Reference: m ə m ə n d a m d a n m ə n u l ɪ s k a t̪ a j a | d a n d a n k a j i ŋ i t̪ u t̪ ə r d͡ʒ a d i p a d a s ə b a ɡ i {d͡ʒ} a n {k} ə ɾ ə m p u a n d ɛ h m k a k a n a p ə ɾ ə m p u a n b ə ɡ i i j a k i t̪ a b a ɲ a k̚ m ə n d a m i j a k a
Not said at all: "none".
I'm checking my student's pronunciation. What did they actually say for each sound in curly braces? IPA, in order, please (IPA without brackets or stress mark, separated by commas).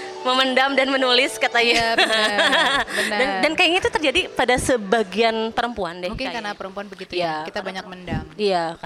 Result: none, p